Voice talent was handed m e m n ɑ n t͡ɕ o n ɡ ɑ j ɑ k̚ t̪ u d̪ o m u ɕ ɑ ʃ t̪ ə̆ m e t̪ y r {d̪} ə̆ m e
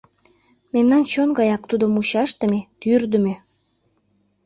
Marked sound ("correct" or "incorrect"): correct